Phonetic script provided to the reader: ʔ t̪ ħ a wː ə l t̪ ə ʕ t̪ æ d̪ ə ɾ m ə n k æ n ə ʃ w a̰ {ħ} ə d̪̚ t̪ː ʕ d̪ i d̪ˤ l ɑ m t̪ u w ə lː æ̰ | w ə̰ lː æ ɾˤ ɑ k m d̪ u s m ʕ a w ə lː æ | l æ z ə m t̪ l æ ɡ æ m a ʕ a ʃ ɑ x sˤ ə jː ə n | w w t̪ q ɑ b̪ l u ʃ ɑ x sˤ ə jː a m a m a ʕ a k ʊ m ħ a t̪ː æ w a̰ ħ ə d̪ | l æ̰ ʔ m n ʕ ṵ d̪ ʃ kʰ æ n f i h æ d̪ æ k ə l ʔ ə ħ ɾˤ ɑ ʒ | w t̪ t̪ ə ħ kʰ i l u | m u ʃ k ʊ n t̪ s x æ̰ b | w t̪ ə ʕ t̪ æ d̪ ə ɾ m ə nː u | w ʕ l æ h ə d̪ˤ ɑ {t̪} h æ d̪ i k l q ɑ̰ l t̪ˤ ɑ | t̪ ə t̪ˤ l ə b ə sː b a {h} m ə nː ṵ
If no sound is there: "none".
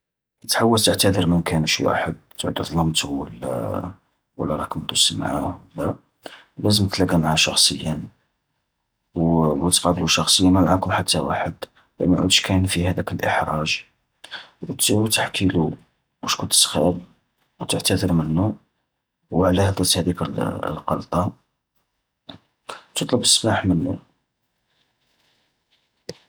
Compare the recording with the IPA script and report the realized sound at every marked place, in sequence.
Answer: ħ, t̪, ħ

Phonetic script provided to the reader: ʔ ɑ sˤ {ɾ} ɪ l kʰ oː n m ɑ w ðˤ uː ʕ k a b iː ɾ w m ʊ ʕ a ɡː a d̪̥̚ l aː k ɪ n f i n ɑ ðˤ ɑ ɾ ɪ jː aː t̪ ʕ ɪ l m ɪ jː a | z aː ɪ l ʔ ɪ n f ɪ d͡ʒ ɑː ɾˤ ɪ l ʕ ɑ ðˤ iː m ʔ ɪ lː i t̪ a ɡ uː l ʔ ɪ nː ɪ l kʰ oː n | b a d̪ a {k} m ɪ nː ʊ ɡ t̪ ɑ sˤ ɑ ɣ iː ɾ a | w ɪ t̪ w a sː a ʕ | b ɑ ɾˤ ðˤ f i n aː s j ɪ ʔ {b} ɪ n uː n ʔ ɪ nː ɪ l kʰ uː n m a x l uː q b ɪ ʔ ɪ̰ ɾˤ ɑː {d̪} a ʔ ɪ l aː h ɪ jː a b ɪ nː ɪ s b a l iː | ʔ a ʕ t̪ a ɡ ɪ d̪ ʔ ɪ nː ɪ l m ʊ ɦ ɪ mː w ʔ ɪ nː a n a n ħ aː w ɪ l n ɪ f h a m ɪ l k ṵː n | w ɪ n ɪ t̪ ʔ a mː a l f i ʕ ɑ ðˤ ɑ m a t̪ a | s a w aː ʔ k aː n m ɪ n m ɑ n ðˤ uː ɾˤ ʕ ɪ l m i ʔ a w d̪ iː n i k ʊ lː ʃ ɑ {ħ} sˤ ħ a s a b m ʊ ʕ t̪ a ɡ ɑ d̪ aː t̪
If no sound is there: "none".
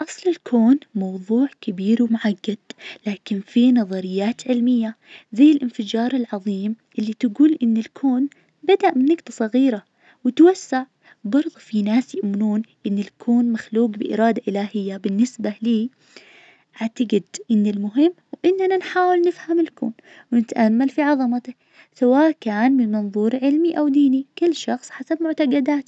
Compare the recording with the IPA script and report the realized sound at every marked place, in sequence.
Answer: l, ʔ, m, d̪, x

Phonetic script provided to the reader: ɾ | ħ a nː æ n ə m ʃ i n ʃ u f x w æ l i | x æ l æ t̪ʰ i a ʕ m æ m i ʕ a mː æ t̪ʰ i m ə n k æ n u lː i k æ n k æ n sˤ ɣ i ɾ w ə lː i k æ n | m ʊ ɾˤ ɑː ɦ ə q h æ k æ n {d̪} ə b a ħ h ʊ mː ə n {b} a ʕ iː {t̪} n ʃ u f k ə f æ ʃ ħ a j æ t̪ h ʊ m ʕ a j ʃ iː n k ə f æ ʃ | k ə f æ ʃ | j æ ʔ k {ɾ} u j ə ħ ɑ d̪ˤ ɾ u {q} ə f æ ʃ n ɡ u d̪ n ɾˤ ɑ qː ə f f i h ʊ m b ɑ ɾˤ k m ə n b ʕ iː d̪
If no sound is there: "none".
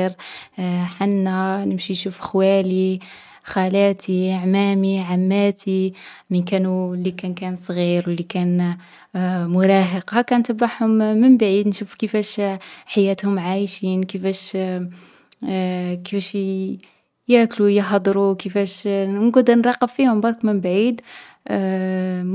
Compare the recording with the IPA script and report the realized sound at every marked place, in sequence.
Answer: t̪, b, d̪, l, k

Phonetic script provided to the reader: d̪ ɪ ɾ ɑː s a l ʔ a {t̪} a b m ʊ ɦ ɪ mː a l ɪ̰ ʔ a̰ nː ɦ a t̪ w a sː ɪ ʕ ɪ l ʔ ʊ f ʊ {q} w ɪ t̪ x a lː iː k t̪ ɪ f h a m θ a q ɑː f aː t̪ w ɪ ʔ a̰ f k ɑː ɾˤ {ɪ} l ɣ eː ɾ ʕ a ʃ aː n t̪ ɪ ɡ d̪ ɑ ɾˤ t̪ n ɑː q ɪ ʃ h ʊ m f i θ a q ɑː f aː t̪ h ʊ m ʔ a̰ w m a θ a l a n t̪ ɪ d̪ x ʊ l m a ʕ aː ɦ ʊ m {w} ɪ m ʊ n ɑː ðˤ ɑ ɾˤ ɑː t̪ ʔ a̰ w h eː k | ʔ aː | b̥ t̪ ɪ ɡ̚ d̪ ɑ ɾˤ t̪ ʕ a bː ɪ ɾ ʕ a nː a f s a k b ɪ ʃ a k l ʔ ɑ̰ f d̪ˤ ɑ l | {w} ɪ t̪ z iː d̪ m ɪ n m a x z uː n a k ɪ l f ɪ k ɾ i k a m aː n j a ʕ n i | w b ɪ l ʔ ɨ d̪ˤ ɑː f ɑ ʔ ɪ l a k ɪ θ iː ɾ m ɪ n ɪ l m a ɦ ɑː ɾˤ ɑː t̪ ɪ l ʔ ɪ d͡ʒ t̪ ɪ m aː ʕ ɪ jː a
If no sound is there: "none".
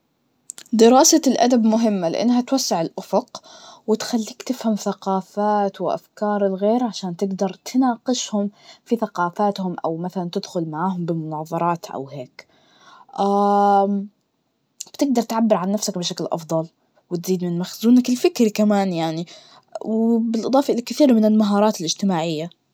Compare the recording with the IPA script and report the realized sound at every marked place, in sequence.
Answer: d̪, q, ɪ, b, w

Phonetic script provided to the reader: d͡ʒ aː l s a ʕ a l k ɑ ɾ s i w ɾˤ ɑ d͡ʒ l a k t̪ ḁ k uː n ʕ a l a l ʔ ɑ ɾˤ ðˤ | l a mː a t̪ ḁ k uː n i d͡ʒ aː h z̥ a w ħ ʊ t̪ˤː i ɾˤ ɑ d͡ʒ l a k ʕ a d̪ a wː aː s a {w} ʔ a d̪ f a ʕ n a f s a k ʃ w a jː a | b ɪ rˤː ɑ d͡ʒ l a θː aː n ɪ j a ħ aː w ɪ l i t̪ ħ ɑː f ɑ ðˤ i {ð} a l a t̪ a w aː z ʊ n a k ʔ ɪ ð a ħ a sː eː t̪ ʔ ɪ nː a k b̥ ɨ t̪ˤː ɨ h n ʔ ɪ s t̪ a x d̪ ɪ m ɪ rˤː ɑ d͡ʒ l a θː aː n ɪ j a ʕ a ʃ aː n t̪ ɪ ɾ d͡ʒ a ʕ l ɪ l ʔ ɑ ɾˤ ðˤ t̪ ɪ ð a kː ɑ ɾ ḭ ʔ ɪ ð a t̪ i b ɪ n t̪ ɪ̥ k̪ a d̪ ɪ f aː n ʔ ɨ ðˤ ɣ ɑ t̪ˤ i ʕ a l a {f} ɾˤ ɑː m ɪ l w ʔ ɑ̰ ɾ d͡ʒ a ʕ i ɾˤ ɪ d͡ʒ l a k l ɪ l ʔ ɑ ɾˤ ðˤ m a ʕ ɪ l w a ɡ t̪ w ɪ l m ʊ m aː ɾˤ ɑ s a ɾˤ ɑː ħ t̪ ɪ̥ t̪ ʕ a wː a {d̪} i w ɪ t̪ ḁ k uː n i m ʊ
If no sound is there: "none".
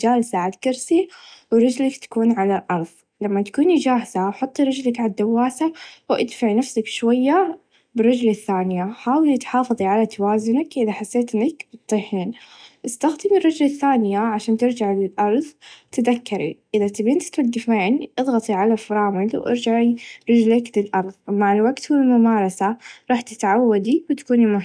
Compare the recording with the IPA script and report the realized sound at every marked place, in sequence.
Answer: w, ʕ, f, d̪

